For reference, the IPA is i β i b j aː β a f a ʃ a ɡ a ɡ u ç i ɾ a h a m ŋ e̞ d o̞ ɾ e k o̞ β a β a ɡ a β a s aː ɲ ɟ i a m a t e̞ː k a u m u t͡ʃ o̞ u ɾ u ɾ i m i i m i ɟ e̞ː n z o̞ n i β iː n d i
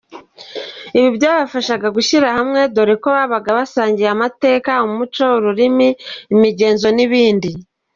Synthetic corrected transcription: i β i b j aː β a f a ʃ a ɡ a ɡ u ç i ɾ a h a m ŋ e̞ d o̞ ɾ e k o̞ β a β a ɡ a β a s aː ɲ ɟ i a m a t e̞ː k a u m u t͡ʃ o̞ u ɾ u ɾ i m i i m i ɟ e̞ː n z o̞ n i β iː n d i